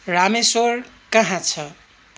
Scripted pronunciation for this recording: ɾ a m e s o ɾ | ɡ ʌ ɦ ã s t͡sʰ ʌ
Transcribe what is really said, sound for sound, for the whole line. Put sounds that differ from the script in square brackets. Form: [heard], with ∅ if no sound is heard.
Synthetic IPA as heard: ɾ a m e s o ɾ | [k] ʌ ɦ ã [∅] t͡sʰ ʌ